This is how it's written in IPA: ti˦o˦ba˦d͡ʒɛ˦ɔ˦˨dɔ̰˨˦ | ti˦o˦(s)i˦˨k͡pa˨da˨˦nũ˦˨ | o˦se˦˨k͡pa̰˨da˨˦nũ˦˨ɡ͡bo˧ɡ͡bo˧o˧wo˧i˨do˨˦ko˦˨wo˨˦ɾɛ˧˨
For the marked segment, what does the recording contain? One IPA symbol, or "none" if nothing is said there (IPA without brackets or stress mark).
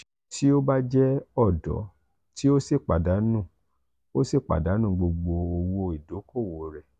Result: s